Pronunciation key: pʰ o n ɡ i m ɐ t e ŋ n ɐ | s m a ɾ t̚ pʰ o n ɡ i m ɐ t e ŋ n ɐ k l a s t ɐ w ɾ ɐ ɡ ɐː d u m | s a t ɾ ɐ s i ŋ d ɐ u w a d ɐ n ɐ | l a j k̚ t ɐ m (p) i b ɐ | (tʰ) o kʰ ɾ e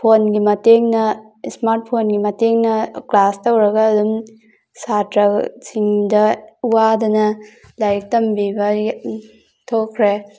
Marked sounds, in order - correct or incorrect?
incorrect, correct

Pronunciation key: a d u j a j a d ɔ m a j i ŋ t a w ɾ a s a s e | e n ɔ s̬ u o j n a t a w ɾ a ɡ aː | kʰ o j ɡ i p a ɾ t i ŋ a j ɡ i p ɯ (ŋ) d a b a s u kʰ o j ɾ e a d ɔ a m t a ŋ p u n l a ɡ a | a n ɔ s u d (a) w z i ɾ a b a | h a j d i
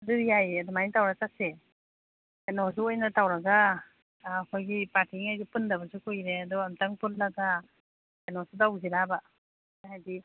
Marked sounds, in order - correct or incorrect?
incorrect, correct

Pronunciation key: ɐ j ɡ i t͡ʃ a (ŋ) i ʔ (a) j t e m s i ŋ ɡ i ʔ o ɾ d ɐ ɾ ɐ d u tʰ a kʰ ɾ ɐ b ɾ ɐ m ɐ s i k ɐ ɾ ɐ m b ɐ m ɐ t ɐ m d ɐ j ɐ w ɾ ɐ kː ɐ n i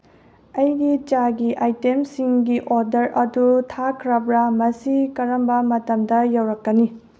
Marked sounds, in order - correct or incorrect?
incorrect, correct

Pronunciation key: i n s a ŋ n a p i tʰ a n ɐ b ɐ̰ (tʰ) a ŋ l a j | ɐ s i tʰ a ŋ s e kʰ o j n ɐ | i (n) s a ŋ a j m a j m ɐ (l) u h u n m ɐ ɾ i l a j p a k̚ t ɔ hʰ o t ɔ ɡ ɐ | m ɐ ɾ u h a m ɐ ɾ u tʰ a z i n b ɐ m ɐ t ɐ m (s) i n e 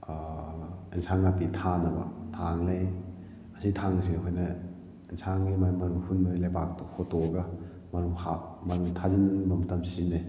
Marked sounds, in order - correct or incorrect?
correct, correct, incorrect, correct

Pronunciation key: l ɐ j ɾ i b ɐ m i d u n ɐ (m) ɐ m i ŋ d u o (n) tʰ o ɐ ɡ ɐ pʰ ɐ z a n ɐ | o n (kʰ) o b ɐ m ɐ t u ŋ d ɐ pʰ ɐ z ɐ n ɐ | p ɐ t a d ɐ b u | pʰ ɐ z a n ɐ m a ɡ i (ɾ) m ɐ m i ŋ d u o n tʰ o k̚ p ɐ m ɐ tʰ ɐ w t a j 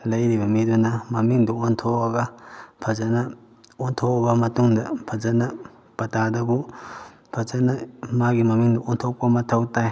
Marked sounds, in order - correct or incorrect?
correct, correct, incorrect, incorrect

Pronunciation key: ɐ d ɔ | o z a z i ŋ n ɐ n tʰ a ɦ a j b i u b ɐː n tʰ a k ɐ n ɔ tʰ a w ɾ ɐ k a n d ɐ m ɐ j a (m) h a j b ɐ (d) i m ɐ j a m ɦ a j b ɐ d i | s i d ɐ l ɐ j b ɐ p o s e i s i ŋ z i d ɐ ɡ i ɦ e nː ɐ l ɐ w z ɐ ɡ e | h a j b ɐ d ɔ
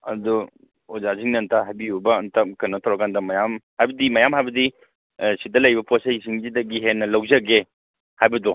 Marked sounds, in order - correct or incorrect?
correct, correct

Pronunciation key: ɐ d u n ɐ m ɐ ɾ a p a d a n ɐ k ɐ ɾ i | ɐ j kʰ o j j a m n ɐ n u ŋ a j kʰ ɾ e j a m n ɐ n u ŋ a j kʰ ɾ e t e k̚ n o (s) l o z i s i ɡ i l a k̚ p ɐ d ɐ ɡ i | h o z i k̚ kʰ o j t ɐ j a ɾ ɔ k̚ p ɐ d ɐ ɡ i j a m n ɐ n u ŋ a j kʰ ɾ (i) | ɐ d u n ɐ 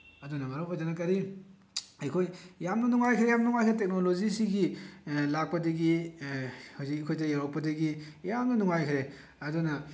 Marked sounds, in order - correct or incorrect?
incorrect, incorrect

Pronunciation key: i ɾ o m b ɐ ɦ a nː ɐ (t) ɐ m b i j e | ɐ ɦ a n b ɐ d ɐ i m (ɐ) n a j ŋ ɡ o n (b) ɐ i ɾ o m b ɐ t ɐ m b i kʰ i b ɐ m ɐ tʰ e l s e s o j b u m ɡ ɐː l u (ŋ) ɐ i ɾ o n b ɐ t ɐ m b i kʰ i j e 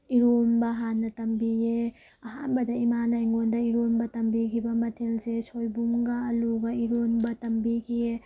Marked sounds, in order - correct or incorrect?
correct, incorrect, incorrect, incorrect

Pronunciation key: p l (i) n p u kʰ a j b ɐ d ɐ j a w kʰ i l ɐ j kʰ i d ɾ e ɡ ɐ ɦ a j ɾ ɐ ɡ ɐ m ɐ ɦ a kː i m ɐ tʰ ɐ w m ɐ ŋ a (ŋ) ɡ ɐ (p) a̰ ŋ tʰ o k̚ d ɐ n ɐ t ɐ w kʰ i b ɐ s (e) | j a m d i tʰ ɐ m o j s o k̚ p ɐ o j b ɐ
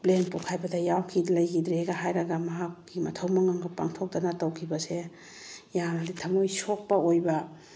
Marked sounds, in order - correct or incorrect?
incorrect, correct, correct, correct

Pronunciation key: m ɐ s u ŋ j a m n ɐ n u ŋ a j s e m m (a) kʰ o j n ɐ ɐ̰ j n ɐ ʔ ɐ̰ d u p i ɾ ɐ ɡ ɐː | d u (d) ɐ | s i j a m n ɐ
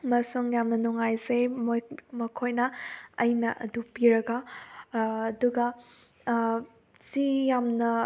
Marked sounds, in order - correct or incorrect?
incorrect, incorrect

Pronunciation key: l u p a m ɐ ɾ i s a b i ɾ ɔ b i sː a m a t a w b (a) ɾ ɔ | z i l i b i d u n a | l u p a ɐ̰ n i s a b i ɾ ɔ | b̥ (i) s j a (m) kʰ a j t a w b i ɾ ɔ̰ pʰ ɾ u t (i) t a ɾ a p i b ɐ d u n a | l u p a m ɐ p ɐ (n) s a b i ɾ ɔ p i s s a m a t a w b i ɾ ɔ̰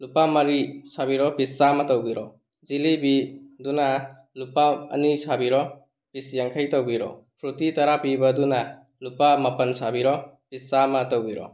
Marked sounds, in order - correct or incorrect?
incorrect, correct, incorrect, correct, correct

